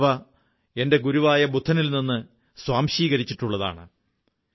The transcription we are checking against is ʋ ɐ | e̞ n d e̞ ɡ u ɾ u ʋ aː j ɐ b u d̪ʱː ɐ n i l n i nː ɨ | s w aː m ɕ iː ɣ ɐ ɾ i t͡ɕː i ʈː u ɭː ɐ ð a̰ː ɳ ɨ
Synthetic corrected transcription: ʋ ɐ | e̞ n d e̞ ɡ u ɾ u ʋ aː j ɐ b u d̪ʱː ɐ n i l n i nː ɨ | s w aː m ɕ iː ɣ ɐ ɾ i t͡ɕː i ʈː u ɭː ɐ ð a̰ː ɳ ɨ